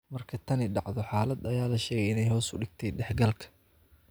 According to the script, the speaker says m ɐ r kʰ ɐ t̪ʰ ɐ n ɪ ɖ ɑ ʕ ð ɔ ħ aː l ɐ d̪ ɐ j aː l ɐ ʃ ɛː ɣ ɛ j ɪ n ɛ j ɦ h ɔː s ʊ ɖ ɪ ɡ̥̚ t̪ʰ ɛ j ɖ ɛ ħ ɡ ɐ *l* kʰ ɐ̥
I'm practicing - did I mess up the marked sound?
no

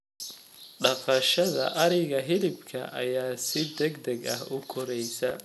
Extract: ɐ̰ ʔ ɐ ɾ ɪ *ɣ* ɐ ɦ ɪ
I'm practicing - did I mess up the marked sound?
no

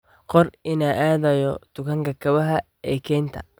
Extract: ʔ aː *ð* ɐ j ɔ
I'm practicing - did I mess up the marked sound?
no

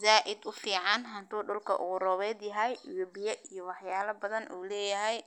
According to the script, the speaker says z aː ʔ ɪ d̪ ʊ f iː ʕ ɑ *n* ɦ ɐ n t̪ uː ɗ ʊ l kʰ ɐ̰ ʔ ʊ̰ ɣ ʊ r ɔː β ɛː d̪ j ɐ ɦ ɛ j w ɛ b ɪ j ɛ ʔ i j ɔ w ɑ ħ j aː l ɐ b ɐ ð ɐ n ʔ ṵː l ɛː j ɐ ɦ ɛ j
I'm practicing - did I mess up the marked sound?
no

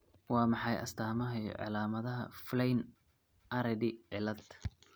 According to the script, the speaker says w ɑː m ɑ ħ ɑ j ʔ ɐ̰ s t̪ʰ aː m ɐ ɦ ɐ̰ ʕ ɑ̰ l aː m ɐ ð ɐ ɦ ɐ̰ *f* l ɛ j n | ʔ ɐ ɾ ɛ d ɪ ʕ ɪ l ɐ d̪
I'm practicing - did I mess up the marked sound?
no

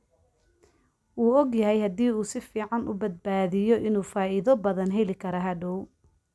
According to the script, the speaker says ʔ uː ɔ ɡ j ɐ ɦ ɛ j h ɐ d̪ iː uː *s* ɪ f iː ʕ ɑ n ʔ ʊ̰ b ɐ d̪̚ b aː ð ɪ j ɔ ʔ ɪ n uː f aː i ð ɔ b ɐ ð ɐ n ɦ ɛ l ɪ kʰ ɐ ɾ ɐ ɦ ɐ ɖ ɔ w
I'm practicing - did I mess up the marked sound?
no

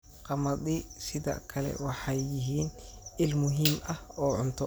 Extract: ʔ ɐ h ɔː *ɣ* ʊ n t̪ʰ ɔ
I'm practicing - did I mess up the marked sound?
yes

